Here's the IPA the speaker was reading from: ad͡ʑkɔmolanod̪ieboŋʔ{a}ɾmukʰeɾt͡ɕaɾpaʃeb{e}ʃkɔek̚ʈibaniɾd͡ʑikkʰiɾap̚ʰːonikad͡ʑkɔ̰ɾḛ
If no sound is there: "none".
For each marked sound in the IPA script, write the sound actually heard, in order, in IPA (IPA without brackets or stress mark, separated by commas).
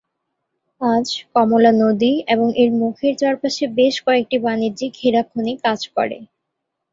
e, e